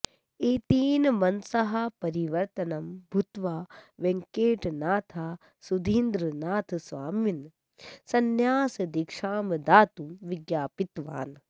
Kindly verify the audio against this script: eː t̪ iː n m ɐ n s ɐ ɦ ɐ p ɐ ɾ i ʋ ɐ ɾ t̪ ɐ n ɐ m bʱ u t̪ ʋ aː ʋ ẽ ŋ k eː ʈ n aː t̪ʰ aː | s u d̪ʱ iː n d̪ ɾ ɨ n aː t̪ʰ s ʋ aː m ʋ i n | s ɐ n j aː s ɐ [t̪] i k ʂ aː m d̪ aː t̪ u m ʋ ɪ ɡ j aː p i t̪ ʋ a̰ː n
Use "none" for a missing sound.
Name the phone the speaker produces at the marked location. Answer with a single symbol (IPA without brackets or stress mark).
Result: d̪